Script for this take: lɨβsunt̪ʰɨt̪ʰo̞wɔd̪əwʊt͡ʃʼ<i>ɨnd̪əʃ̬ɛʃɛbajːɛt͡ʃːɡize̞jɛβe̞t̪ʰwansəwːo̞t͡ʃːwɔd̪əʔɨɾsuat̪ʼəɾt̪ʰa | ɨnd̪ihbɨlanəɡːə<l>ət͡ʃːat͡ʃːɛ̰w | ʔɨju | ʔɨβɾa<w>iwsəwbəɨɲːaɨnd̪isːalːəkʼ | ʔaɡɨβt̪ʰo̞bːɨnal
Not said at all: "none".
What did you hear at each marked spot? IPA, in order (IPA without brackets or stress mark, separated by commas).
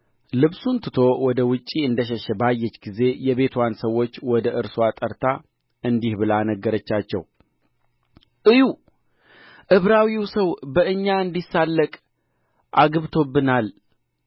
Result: i, ɾ, w